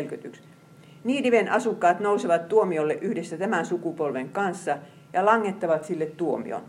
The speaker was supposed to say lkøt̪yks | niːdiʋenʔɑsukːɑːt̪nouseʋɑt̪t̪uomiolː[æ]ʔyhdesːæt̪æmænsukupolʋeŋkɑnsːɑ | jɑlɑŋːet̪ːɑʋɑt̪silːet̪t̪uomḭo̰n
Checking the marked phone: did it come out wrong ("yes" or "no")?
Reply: yes